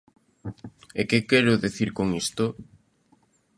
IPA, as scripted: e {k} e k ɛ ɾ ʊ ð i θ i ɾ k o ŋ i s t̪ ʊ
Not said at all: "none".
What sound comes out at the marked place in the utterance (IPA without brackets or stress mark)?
k